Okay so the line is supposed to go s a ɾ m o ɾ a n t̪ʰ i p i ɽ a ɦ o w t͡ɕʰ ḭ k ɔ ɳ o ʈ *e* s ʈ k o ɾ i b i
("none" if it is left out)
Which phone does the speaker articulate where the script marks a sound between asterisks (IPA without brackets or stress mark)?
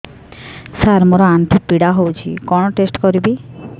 e